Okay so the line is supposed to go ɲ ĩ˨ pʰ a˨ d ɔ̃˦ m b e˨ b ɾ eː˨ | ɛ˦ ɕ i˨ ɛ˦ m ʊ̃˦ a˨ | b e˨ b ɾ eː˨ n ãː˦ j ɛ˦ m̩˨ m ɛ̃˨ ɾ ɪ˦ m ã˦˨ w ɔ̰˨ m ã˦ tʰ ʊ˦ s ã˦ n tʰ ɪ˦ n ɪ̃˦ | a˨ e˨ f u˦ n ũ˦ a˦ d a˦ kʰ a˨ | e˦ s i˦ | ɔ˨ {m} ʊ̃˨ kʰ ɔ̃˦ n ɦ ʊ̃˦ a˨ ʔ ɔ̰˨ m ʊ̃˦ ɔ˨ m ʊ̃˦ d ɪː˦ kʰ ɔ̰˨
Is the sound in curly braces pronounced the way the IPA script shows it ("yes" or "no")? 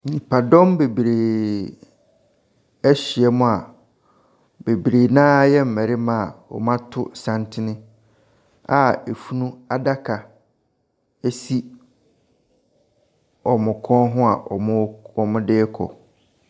yes